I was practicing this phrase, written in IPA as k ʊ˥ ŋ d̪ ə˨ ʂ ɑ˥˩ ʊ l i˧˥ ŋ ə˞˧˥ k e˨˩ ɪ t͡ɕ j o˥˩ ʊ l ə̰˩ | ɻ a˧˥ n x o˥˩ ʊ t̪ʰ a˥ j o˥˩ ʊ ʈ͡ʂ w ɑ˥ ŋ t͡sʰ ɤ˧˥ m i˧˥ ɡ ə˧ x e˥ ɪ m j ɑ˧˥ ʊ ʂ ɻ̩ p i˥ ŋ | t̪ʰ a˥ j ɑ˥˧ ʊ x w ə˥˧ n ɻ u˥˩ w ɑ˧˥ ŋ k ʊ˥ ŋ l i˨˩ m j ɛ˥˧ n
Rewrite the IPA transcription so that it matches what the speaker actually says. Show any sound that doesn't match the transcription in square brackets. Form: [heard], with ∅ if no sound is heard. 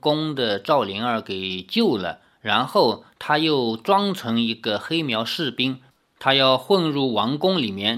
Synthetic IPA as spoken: k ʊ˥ ŋ d̪ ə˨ [ʈ͡ʂ] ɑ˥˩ ʊ l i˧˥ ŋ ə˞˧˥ k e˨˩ ɪ t͡ɕ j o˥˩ ʊ l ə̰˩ | ɻ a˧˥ n x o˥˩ ʊ t̪ʰ a˥ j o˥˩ ʊ ʈ͡ʂ w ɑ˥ ŋ t͡sʰ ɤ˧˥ [ŋ] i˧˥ ɡ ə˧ x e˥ ɪ m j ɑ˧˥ ʊ ʂ ɻ̩ p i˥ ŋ | t̪ʰ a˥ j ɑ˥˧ ʊ x w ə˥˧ n ɻ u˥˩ w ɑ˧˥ ŋ k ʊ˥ ŋ l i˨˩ m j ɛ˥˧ n